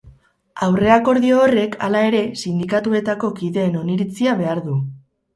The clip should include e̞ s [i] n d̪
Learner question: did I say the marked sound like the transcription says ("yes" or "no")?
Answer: yes